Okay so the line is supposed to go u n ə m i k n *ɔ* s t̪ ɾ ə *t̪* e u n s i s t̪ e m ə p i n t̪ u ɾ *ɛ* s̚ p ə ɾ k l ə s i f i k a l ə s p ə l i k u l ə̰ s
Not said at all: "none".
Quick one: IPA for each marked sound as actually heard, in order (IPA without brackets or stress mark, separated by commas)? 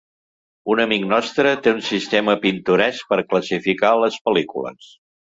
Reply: ɔ, t̪, ɛ